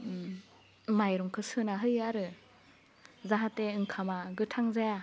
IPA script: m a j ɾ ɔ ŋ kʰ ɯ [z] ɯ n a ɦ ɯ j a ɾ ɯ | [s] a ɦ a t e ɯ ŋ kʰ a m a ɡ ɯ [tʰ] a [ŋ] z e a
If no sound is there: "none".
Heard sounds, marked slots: s, z, tʰ, ŋ

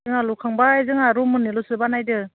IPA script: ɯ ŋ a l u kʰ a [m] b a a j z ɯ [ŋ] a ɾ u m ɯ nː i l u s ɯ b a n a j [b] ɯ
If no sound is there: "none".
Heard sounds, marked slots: ŋ, ŋ, d

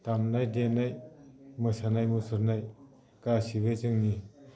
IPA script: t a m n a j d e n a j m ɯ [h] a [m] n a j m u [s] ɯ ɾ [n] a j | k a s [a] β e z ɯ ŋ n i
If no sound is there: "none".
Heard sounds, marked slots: s, none, s, n, i

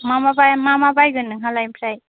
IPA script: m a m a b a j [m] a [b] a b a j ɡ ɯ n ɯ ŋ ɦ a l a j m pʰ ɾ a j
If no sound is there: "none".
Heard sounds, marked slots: m, m

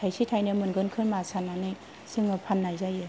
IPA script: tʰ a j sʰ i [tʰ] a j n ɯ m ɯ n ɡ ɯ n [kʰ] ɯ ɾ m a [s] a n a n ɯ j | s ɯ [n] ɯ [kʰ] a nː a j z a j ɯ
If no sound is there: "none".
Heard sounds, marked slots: tʰ, kʰ, s, ŋ, pʰ

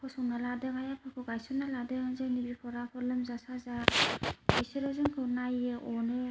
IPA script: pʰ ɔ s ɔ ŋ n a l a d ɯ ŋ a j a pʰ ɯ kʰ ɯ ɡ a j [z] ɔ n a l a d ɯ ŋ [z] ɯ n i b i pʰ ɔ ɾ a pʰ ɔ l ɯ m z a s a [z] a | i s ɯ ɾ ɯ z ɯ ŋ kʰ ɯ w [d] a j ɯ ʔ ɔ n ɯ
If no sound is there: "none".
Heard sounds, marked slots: s, z, z, n

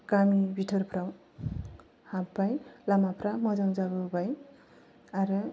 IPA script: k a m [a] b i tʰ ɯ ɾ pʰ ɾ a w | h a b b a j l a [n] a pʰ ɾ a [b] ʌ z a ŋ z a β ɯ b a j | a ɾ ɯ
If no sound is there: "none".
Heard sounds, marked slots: i, m, m

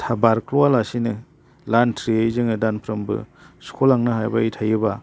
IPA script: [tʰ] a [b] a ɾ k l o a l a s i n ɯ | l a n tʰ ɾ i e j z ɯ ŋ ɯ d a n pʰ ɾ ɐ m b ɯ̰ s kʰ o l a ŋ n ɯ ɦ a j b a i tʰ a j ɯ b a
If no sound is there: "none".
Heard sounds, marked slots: tʰ, b

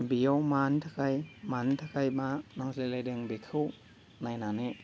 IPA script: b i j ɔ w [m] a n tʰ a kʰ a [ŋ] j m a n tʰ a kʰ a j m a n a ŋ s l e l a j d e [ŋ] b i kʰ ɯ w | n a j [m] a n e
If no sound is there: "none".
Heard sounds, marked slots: m, none, ŋ, n

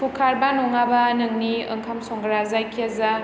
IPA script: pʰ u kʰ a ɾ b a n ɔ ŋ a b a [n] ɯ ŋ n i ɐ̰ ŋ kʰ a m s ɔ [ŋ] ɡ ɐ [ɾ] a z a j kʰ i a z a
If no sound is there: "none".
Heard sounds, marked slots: n, ŋ, ɾ

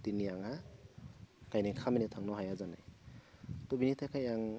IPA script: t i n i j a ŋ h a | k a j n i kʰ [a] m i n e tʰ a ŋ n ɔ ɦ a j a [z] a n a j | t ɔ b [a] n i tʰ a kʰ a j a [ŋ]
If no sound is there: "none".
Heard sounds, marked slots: a, z, i, ŋ

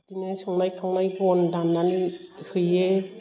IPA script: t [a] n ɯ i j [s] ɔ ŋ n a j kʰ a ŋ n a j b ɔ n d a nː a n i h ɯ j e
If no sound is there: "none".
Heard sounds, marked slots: i, s

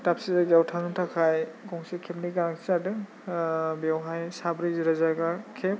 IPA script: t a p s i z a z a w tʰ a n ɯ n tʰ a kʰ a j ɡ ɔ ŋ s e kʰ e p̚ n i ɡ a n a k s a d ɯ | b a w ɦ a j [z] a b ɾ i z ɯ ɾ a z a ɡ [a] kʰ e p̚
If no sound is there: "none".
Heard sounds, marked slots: s, a

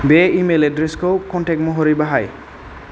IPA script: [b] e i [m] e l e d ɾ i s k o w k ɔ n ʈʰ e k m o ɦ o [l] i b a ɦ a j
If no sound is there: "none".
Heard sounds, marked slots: b, m, ɾ

